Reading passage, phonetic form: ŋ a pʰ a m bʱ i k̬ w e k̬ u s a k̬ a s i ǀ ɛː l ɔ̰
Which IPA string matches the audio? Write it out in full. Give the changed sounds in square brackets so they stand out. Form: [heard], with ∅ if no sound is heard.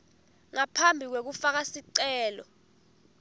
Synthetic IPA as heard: ŋ a pʰ a m bʱ i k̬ w e k̬ u [f] a k̬ a s i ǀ ɛː l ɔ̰